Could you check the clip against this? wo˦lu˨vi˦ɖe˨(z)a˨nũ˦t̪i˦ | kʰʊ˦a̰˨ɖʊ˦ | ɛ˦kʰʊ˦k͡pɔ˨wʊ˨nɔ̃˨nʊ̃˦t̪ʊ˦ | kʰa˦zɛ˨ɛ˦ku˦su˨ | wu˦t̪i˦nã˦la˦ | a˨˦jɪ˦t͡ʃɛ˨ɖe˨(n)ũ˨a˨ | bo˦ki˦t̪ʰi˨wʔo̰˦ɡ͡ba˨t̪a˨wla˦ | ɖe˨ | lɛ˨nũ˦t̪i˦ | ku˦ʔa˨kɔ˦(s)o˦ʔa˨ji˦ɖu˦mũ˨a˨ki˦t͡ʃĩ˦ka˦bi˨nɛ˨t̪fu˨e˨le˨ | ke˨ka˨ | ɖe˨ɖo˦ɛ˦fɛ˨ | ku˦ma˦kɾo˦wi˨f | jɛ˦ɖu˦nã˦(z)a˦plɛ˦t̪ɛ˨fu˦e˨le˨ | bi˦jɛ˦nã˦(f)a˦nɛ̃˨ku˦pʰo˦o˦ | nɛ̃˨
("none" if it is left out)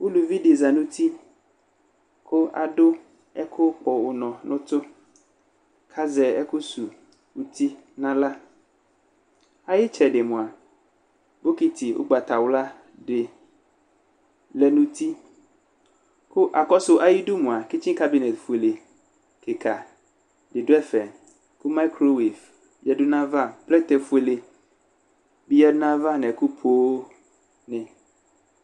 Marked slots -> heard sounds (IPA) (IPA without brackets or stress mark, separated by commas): z, m, s, v, v